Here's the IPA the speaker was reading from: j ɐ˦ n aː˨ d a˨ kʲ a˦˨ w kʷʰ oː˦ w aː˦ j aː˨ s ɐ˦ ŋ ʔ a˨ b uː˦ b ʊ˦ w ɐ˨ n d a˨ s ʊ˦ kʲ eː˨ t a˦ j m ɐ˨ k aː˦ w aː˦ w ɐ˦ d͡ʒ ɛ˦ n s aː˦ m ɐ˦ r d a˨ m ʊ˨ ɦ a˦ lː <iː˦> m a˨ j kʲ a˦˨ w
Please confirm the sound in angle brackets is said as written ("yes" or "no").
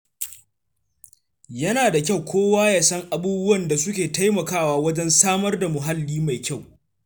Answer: yes